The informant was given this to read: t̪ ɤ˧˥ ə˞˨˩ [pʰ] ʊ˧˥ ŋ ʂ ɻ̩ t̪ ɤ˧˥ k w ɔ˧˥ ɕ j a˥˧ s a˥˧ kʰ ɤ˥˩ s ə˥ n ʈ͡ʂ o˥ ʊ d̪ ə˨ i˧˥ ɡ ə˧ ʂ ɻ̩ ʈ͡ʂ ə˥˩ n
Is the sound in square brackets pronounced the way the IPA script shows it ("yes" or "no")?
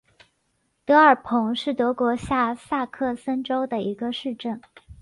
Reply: yes